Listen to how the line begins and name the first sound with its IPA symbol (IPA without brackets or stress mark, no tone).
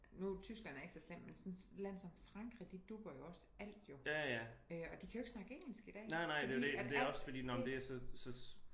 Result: n